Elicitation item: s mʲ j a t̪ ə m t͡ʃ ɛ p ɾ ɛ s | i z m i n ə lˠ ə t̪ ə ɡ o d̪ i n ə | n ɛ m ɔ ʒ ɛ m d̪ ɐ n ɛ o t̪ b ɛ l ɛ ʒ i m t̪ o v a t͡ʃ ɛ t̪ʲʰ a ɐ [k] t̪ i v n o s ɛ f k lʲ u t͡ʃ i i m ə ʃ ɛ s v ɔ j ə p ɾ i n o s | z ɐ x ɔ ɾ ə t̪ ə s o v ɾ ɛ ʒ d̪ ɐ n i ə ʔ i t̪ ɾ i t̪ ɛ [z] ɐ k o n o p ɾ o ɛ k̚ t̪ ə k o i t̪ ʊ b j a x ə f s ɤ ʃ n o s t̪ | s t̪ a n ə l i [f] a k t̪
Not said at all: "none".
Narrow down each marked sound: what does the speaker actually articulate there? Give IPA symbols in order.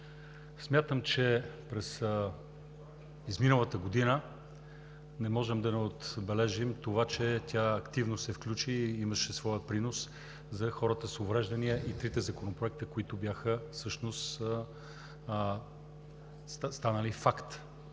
k, z, f

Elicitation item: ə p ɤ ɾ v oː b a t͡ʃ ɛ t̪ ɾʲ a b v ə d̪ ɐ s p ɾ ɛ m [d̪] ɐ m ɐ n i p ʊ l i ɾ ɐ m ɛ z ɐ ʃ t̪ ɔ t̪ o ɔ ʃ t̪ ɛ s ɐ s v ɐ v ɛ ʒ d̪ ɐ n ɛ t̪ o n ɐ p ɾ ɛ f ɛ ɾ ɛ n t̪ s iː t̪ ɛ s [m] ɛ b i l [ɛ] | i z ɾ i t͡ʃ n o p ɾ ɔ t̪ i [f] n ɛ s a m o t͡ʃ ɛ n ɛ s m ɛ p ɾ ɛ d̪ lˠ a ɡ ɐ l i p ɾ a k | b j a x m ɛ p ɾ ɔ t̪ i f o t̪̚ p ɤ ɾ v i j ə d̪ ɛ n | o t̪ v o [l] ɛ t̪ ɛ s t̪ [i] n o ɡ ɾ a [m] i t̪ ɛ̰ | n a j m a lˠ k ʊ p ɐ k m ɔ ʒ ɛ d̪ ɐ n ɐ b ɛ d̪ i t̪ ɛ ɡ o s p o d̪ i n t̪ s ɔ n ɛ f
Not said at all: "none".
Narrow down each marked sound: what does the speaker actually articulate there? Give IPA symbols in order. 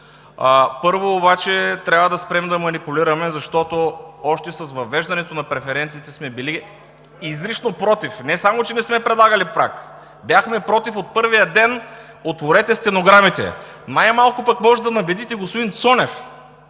d̪, m, i, f, ɾ, ɛ, m

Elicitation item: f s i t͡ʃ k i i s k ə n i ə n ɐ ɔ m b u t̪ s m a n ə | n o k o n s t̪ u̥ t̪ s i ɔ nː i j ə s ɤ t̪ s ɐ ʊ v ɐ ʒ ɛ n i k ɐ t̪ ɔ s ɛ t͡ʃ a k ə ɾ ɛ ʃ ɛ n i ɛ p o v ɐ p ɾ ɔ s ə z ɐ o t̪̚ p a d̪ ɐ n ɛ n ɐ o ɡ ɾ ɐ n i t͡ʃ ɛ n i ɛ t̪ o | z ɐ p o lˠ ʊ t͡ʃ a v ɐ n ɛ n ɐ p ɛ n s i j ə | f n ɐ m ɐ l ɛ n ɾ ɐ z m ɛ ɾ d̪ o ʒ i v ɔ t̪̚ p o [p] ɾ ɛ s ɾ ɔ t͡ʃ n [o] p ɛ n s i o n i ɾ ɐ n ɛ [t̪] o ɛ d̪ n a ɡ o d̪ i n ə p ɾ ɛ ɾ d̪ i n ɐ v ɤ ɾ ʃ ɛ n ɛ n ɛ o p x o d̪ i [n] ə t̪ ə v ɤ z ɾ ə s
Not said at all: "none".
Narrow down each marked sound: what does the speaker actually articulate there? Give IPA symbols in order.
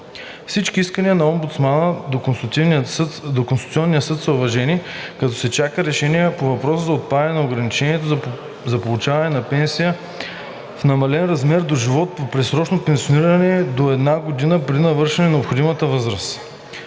p, o, d̪, m

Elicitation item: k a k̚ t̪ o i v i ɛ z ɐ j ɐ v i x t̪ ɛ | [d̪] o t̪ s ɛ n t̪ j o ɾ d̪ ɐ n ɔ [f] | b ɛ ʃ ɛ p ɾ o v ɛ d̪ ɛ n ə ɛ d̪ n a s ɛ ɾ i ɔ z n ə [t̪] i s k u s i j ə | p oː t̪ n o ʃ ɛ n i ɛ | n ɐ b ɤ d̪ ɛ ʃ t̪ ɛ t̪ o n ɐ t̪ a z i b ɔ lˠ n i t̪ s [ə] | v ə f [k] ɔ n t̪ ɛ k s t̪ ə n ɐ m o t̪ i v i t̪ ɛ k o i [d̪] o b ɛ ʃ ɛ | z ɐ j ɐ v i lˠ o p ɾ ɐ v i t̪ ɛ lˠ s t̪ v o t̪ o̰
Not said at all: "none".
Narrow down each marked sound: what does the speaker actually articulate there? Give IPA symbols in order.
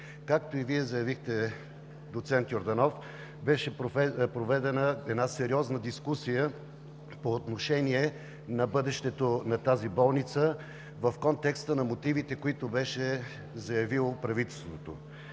d̪, f, d̪, ə, k, t̪

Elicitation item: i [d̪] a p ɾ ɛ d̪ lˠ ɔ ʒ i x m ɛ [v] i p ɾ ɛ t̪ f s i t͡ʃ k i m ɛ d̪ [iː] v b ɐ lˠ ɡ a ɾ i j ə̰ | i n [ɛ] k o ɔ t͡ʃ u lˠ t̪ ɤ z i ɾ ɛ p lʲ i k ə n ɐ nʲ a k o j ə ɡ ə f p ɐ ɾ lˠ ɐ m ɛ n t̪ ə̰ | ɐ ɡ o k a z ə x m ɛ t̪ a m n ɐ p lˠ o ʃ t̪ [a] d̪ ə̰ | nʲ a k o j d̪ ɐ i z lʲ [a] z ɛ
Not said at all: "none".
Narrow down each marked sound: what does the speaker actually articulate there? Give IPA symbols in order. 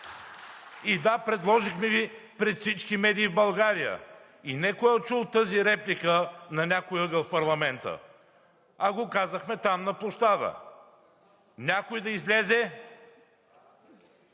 d̪, v, iː, ɛ, a, ɛ

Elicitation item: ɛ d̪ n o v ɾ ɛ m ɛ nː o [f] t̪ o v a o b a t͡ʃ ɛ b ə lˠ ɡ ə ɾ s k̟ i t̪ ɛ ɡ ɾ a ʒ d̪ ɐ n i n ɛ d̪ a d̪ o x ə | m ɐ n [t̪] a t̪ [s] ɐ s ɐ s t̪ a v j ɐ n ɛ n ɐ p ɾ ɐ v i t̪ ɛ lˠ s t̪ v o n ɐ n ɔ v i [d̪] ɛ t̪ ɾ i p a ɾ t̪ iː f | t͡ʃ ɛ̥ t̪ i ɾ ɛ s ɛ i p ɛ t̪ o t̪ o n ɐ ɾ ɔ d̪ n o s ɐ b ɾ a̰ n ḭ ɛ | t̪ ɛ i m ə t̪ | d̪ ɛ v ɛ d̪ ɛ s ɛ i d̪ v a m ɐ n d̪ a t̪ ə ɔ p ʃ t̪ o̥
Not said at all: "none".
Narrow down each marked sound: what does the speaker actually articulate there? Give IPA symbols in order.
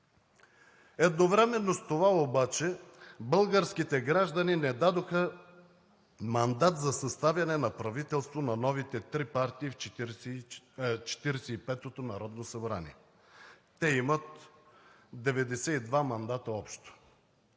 s, d̪, z, t̪

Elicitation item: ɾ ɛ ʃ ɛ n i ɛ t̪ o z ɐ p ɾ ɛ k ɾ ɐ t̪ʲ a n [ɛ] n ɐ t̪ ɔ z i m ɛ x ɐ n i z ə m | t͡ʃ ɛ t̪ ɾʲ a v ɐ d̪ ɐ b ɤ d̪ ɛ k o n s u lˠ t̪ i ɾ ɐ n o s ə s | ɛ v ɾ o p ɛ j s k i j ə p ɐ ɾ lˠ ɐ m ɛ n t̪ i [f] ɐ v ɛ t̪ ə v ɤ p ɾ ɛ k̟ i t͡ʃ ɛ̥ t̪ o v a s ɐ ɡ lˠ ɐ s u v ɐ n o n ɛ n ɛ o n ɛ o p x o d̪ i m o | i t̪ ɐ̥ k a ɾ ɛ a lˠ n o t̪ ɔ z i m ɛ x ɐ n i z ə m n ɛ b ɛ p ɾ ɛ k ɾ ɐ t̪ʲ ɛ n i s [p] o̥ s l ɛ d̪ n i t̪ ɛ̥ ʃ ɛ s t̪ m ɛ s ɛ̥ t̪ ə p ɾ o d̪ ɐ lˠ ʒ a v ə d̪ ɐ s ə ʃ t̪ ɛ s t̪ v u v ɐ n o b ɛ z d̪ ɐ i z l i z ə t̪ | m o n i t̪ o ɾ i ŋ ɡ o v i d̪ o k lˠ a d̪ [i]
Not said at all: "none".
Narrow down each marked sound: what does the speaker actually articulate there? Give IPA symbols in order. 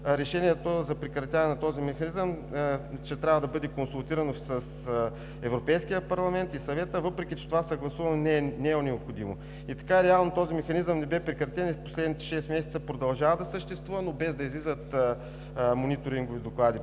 ɛ, s, p, i

